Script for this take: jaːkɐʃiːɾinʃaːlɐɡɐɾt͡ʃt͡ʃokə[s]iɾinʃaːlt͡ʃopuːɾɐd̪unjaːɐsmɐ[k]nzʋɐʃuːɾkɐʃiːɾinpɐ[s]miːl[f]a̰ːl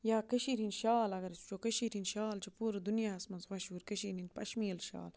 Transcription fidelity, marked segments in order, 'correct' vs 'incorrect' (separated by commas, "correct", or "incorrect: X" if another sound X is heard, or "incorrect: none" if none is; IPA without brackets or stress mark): incorrect: ʃ, incorrect: none, incorrect: ʃ, incorrect: ʃ